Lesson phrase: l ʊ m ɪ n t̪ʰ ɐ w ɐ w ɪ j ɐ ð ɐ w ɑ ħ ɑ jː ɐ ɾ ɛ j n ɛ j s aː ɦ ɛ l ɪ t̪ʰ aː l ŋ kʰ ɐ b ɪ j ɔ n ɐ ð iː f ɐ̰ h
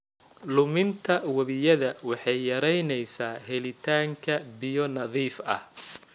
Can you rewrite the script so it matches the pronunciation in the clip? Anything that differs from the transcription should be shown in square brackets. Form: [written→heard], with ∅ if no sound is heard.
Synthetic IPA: l ʊ m ɪ n t̪ʰ ɐ w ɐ [w→β] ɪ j ɐ ð ɐ w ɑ ħ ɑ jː ɐ ɾ ɛ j n ɛ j s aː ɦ ɛ l ɪ t̪ʰ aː [l→∅] ŋ kʰ ɐ b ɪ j ɔ n ɐ ð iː f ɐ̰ h